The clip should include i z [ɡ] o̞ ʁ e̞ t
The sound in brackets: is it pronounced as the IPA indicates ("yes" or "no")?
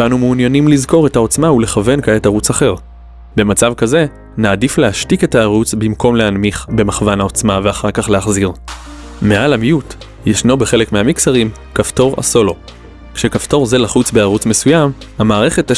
no